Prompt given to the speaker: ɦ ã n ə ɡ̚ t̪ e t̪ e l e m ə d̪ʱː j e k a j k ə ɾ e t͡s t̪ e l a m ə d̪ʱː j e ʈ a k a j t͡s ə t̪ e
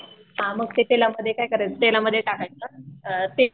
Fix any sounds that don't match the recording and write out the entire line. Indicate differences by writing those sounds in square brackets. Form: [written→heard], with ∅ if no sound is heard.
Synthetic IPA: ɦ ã [n→m] ə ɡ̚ t̪ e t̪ e l [e→a] m ə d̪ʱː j e k a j k ə ɾ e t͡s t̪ e l a m ə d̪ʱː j e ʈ a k a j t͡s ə t̪ e